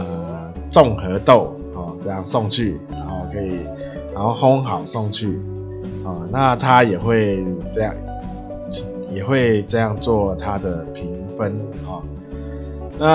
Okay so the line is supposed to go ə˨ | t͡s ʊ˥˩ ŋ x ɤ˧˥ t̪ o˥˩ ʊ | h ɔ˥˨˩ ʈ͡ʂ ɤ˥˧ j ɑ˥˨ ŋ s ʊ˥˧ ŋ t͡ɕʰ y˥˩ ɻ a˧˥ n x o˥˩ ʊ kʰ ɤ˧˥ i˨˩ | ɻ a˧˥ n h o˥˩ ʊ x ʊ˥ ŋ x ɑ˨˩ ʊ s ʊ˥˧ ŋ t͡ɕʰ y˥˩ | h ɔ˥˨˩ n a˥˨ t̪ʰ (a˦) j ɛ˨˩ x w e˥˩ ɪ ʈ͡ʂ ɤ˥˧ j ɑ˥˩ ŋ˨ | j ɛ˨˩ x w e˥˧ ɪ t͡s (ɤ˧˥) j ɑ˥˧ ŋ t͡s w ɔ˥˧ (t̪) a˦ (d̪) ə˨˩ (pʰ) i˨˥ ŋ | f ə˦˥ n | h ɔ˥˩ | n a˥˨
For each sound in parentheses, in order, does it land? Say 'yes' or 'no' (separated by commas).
yes, no, no, yes, yes